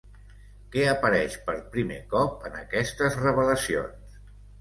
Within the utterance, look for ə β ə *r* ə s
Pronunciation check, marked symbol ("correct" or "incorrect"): incorrect